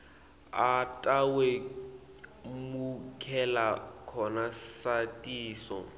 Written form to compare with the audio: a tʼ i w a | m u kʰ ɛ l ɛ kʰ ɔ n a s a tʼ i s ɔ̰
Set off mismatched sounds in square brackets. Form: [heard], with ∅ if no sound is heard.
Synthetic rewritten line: a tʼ [a] w [e] | m u kʰ ɛ l [a] kʰ ɔ n a s a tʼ [iː] s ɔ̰